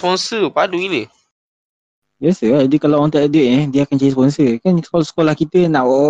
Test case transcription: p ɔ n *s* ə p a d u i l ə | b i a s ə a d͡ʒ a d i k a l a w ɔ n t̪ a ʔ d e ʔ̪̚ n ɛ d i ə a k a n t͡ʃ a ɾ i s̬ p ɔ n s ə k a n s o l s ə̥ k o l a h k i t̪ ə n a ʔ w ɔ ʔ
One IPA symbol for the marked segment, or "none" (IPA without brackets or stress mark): s